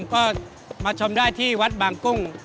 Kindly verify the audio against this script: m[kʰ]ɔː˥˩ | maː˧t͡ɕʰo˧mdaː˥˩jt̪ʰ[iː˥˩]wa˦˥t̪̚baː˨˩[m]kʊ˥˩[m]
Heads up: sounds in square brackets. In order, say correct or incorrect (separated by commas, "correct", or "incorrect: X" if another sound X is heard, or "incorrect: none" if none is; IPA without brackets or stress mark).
incorrect: k, correct, incorrect: ŋ, incorrect: ŋ